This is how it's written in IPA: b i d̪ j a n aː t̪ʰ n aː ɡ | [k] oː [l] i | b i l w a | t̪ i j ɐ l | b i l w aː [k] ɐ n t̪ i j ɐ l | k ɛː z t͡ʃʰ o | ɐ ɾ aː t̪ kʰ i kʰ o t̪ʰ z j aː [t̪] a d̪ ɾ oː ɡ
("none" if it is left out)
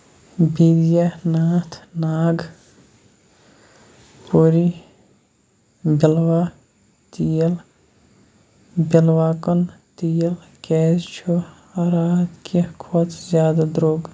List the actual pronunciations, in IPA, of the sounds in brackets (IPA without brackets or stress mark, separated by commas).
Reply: p, ɾ, k, d̪